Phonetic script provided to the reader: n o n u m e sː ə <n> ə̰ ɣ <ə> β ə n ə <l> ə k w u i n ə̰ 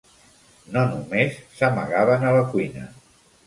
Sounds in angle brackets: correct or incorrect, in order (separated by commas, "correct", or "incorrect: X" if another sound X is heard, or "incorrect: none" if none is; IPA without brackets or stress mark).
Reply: incorrect: m, incorrect: a, correct